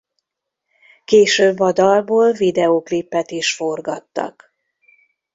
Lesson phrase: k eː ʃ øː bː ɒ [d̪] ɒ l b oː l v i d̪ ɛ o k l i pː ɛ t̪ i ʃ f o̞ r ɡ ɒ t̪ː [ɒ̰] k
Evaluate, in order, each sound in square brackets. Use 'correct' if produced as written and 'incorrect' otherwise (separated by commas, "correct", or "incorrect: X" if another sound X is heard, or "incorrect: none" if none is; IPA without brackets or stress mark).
correct, correct